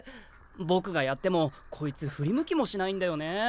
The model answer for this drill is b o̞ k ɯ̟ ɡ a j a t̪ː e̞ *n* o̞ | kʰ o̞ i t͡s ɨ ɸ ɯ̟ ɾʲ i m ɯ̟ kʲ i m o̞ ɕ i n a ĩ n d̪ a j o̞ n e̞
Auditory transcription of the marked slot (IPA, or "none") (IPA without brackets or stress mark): m